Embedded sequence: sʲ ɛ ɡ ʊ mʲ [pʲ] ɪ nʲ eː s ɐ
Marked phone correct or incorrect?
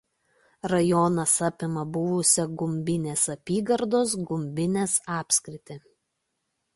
incorrect